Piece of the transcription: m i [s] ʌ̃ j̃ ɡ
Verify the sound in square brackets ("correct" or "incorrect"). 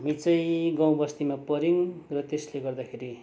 incorrect